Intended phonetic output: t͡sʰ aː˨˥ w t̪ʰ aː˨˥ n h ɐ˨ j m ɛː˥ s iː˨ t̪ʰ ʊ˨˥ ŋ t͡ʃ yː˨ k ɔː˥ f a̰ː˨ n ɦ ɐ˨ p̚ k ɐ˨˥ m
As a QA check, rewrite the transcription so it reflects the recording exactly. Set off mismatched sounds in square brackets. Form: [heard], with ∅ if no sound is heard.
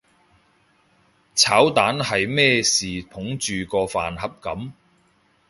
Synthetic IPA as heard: t͡sʰ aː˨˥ w [t̪] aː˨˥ n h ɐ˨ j m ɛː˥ s iː˨ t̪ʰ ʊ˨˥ ŋ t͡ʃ yː˨ k [ɔː˧] f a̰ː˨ n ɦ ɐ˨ p̚ k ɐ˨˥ m